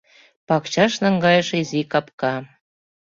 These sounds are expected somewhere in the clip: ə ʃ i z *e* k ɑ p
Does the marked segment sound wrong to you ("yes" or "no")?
yes